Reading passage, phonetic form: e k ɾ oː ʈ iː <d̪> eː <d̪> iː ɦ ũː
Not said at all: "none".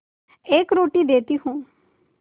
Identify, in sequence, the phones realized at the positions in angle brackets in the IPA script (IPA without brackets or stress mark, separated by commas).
d̪, t̪